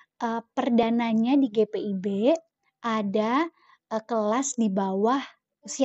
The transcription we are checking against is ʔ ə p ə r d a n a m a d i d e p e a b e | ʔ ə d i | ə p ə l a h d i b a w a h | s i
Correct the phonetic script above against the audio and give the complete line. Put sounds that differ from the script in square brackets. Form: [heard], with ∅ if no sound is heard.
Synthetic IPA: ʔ ə p ə r d a n a [ɲ] a d i [ɡ] e p e [i] b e | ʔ [a] d [a] | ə [k] ə l a [s] d i b a w a h | s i